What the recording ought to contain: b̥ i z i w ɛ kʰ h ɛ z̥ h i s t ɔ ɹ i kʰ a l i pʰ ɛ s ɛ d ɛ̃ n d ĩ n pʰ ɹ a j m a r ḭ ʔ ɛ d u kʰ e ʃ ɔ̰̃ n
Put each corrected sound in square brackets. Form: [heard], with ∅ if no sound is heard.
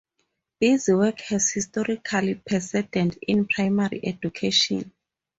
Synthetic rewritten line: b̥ i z i w ɛ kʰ h ɛ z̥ h i s t ɔ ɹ i kʰ a l i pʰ ɛ s ɛ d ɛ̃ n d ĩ n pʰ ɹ a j m a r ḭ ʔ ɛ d u kʰ e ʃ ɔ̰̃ n